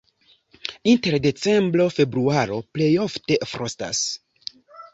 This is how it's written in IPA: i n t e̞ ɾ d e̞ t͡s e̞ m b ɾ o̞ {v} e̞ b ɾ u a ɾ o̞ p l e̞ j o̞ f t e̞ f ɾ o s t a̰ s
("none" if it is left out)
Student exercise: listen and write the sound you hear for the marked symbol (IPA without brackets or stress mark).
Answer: f